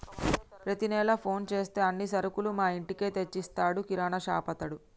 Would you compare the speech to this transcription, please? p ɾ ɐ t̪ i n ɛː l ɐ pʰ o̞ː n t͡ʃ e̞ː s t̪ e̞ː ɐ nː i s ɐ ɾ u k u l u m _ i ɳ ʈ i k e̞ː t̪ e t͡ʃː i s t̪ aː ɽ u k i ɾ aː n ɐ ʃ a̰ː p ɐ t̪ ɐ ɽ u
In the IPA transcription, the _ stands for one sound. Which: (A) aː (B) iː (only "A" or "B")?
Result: A